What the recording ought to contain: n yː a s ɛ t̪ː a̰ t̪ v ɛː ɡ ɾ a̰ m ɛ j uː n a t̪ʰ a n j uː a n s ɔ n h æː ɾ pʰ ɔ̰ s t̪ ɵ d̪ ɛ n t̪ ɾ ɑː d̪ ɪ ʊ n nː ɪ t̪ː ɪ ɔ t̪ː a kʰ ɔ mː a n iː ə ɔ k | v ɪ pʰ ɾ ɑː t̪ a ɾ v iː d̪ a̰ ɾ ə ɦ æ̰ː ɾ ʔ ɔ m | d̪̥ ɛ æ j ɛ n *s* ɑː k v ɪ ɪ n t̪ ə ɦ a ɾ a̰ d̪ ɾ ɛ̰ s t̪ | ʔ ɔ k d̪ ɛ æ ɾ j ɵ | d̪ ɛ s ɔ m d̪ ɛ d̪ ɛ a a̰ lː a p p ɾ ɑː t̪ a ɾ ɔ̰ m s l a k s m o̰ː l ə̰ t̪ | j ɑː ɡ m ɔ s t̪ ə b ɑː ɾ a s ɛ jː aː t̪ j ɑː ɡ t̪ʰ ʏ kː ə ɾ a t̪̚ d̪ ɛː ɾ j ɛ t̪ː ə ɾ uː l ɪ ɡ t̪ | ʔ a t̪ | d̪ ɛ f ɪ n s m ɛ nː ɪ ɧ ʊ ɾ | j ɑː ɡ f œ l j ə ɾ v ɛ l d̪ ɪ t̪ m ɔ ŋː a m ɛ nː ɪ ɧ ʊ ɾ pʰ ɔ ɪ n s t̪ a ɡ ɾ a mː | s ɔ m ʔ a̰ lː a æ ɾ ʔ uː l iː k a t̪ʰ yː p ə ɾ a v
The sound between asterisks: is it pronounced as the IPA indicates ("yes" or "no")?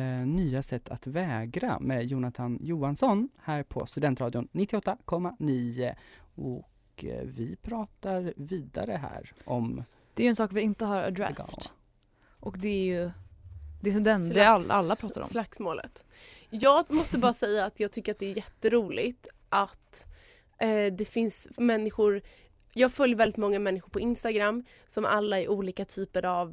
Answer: yes